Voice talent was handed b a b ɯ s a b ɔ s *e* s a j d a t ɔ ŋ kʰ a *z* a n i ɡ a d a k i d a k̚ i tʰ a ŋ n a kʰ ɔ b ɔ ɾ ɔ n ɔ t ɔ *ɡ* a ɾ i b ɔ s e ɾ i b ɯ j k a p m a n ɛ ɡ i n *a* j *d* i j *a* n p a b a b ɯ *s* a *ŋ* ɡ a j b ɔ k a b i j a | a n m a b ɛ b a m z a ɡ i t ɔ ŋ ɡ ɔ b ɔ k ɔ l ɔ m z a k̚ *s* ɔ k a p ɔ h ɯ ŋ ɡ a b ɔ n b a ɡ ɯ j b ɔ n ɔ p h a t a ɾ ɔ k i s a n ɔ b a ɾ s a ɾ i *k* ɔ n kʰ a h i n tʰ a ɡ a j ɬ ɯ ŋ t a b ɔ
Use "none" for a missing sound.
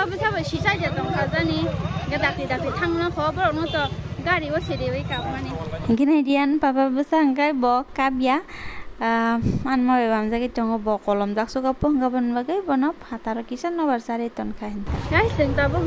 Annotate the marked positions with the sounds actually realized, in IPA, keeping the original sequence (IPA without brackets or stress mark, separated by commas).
i, z, ɡ, a, d, a, s, ŋ, s, t